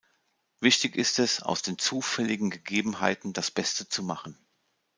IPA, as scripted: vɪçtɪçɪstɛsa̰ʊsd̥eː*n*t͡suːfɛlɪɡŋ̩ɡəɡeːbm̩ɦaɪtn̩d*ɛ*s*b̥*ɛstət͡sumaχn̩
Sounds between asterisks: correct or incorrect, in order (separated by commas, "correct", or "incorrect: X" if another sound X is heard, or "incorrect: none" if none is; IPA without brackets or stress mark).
correct, incorrect: a, correct